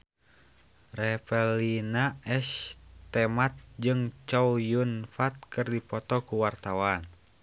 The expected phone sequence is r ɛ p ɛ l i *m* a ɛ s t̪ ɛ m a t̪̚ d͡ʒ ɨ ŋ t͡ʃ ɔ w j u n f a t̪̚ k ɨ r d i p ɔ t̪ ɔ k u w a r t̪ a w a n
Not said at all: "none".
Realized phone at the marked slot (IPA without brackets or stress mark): n